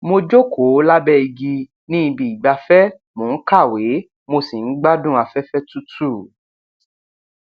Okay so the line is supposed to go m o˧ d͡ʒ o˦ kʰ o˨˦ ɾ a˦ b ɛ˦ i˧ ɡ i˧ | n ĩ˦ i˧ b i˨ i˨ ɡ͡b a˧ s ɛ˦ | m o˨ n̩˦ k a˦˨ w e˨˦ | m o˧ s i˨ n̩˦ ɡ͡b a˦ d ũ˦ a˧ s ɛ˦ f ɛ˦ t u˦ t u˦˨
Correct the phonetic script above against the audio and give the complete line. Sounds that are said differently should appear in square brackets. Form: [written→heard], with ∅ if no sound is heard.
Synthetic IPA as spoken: m o˧ d͡ʒ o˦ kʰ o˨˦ [ɾ→l] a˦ b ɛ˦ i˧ ɡ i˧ | n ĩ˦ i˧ b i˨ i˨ ɡ͡b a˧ [s→f] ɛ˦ | m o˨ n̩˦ k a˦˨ w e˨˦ | m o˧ s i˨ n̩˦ ɡ͡b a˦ d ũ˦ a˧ [s→f] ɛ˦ f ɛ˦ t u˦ t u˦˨